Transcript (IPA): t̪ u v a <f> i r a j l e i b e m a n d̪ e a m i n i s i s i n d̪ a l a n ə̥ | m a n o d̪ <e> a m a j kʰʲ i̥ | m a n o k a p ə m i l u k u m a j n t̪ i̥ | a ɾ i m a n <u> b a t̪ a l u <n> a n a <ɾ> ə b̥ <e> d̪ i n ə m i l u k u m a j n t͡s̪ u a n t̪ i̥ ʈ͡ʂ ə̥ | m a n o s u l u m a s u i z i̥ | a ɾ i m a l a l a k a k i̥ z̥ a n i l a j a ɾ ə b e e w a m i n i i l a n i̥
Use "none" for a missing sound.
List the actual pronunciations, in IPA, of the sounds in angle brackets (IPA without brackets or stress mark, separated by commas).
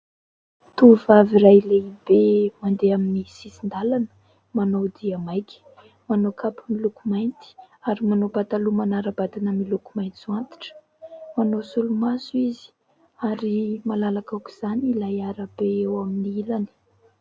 v, i, o, m, ɾ, a